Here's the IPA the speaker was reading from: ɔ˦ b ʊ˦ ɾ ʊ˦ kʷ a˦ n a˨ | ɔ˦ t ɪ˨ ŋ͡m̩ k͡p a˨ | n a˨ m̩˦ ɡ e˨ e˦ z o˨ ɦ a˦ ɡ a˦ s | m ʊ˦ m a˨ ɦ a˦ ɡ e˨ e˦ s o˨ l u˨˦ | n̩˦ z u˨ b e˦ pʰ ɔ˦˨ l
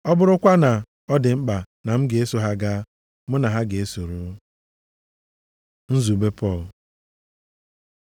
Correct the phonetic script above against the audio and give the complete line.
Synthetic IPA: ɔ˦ b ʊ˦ ɾ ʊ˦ kʷ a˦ n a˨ | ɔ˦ d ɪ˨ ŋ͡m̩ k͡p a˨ | n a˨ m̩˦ ɡ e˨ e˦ s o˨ ɦ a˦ ɡ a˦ | m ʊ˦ n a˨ ɦ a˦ ɡ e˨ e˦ s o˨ ɾ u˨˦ | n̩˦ z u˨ b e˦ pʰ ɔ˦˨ l

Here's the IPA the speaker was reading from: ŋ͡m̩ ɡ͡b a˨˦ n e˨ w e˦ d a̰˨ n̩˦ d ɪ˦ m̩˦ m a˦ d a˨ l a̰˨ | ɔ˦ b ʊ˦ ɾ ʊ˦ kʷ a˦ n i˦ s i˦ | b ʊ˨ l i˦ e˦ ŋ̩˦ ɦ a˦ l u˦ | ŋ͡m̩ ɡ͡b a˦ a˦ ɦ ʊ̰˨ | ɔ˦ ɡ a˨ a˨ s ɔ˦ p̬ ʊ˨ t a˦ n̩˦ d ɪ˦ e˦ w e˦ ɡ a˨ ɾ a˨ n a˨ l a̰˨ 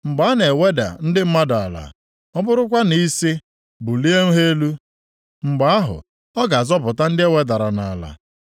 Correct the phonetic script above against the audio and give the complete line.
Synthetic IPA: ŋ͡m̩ ɡ͡b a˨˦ n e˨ w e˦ d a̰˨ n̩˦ d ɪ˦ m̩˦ m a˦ d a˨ l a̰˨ | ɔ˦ b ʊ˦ ɾ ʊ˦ kʷ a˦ n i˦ s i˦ | b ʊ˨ l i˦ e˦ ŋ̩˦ ɦ e˦ l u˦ | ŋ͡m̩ ɡ͡b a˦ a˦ ɦ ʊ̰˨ | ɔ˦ ɡ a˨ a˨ z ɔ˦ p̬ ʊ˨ t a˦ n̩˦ d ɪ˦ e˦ w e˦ d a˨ ɾ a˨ n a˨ l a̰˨

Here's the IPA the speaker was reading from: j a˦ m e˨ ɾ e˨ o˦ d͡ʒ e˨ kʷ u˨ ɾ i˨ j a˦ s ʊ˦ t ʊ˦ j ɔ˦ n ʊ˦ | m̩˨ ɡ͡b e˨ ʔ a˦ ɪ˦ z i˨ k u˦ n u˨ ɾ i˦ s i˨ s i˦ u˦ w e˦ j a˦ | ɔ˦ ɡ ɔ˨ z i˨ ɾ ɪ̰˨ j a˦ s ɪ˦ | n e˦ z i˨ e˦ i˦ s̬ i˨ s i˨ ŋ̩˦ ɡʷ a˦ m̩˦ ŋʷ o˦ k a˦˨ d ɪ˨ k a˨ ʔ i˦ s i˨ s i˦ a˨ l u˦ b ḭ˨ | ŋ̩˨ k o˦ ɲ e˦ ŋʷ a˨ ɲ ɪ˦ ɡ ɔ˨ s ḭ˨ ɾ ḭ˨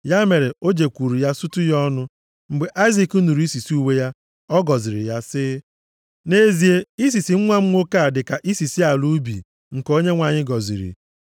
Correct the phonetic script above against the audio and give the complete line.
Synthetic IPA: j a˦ m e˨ ɾ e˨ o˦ d͡ʒ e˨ kʷ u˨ ɾ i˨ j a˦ s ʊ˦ t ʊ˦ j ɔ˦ n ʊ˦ | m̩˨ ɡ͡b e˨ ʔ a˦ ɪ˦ z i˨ k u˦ n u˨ ɾ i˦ s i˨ s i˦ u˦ w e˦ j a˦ | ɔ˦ ɡ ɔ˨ z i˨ ɾ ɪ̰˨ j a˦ s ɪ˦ | n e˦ z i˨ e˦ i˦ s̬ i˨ s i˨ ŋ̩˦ ŋʷ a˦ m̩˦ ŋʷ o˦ k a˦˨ d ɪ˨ k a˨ ʔ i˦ s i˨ s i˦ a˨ l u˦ b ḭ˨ | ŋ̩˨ k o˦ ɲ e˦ ŋʷ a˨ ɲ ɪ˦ ɡ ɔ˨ z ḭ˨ ɾ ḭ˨

